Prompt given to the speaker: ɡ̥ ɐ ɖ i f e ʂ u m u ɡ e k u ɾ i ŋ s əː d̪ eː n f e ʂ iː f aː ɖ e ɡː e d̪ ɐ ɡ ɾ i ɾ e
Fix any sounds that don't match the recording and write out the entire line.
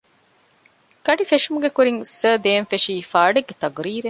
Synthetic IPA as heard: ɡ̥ ɐ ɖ i f e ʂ u m u ɡ e k u ɾ i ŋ s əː d̪ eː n f e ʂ iː f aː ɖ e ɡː e t̪ ɐ ɡ ɾ iː ɾ e